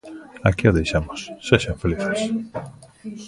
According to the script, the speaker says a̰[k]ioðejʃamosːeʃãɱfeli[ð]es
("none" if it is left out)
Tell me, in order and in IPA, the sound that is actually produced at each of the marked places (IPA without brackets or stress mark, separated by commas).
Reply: k, θ